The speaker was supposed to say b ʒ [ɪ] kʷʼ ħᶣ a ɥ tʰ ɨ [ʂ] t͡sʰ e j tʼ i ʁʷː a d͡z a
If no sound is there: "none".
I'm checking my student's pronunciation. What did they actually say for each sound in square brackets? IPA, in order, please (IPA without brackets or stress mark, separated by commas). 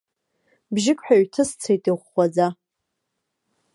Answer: ɪ, s